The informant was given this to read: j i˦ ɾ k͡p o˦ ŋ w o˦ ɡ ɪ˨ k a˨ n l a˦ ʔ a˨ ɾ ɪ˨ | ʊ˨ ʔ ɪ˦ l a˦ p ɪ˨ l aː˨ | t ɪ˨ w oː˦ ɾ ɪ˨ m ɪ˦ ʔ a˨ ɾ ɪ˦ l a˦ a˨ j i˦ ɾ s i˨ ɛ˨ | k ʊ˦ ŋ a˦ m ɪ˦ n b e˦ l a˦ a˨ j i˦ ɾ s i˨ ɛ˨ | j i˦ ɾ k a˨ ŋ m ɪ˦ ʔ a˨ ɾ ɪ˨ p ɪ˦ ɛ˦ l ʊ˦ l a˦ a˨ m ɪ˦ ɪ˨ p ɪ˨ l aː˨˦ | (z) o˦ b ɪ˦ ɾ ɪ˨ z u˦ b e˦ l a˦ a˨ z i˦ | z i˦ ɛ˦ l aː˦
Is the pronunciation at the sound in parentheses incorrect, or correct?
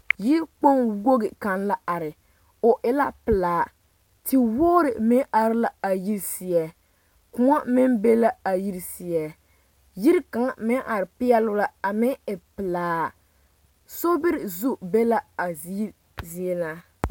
incorrect